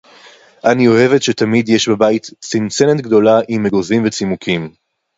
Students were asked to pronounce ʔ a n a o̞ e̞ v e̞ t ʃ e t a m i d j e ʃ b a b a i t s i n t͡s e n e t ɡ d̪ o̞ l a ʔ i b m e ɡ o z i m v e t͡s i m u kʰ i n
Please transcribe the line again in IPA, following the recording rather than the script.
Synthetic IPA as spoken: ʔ a n i o̞ e̞ v e̞ t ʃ e t a m i d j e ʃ b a b a i t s i n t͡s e n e t ɡ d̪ o̞ l a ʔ i m e ɡ o z i m v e t͡s i m u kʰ i m

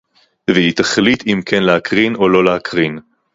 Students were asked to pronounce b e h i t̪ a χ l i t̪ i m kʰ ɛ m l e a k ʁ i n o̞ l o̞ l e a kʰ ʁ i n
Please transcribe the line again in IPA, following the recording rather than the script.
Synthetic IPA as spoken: v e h i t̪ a χ l i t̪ i m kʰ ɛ n l e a k ʁ i n o̞ l o̞ l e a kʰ ʁ i n

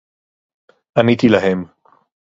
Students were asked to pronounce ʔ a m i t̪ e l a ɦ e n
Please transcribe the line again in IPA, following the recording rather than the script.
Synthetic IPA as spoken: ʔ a n i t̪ i l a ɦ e m

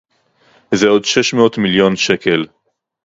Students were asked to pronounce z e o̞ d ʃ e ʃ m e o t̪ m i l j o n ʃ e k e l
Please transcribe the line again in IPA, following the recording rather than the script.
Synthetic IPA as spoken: z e o̞ d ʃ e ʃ m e o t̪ m i l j o n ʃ e k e l

